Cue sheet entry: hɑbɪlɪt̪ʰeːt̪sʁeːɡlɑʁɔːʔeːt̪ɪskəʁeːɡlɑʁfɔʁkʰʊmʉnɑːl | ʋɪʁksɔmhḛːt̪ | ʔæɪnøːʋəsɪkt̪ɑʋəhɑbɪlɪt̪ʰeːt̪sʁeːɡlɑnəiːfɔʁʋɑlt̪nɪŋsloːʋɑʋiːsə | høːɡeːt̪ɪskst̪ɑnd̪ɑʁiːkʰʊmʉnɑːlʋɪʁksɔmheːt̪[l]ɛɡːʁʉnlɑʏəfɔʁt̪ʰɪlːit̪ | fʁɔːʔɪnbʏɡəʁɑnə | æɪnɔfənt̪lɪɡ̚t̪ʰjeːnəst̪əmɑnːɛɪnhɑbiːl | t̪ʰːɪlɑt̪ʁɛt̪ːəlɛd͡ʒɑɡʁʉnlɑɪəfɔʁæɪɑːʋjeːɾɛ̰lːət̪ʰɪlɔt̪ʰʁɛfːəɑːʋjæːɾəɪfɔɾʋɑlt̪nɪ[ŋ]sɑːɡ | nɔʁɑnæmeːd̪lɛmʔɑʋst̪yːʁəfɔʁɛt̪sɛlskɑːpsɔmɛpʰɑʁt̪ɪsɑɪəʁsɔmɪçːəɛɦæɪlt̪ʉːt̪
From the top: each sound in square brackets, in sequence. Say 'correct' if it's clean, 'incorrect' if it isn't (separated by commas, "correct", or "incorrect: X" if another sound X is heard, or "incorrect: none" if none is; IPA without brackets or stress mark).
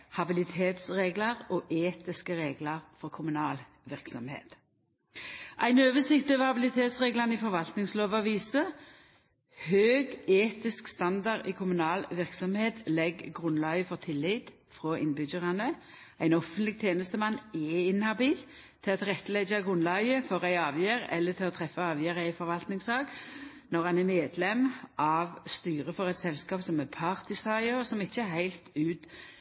correct, correct